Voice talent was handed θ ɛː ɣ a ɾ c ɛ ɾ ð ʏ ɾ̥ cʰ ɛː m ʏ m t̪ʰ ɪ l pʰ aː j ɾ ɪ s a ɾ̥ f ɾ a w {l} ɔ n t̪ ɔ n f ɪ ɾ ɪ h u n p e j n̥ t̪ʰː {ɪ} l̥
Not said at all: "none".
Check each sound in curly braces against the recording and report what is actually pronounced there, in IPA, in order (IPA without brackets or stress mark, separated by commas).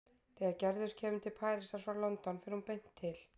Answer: l, ɪ